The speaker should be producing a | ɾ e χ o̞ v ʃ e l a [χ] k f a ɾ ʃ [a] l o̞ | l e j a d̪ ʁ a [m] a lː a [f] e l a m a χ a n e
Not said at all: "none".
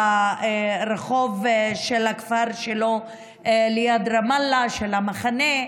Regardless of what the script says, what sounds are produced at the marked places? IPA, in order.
none, e, m, ʃ

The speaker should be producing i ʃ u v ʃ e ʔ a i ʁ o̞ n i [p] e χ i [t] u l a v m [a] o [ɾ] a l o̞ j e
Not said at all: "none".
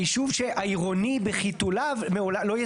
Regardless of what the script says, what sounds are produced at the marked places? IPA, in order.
b, t, e, l

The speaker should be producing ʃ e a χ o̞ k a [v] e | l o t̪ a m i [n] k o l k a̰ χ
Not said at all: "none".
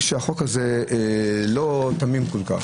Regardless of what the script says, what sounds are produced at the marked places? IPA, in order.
z, m

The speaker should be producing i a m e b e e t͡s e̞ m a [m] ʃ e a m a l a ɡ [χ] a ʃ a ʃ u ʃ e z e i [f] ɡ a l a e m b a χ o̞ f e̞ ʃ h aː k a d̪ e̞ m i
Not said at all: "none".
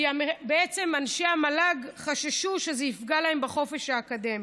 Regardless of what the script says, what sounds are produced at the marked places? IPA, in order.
n, χ, f

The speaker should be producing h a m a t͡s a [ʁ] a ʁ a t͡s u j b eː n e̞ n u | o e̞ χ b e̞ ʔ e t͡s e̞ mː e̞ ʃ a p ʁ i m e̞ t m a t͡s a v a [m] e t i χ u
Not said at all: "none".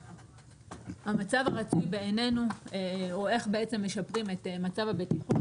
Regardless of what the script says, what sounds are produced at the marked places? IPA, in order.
v, b

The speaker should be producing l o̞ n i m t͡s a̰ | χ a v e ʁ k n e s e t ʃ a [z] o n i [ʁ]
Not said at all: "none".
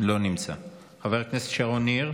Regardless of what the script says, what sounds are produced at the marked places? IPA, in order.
ʁ, ʁ

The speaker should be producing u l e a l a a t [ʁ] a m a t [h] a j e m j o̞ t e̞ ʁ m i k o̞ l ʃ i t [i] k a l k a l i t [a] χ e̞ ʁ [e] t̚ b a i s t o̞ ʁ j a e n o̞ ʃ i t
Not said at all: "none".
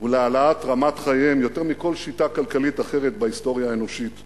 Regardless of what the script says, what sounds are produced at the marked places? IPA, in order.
ʁ, χ, a, a, e

